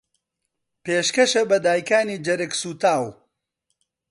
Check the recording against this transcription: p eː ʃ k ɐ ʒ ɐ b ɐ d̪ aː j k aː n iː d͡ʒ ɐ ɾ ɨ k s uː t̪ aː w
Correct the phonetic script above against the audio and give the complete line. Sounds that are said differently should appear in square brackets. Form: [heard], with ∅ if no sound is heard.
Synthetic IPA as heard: p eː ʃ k ɐ [ʃ] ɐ b ɐ d̪ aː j k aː n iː d͡ʒ ɐ ɾ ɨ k s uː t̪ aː w